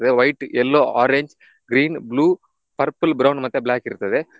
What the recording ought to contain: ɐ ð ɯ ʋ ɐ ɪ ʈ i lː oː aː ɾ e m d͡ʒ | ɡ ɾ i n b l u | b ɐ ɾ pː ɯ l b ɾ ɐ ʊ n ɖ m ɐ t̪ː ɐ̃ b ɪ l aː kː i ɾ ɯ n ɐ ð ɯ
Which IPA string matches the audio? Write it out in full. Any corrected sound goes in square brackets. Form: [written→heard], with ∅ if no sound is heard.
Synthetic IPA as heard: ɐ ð ɯ ʋ ɐ ɪ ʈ [i→ɛ] lː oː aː ɾ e [m→ɲ] d͡ʒ | ɡ ɾ [i→iː] n b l [u→uː] | [b→p] ɐ ɾ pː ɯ l b ɾ ɐ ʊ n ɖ m ɐ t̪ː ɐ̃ b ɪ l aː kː [i→ɪ] ɾ ɯ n ɐ ð ɯ